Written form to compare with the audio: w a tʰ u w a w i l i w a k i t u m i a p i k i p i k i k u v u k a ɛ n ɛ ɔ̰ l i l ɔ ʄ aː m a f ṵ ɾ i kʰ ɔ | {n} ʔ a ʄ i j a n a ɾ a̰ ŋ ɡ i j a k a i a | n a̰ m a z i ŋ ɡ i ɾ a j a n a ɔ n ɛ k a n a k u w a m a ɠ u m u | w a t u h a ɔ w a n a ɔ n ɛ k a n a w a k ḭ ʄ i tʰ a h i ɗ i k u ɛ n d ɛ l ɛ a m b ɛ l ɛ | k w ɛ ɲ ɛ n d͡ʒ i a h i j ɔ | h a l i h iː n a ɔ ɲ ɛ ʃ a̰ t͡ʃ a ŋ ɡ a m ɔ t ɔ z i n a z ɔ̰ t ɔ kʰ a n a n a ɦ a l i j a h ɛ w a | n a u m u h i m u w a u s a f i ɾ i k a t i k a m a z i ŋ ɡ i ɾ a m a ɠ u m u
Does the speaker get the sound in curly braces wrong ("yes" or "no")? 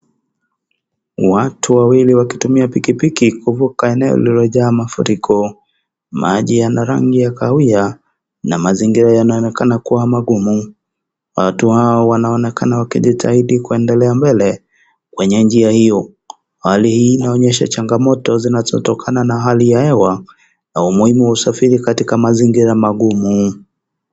yes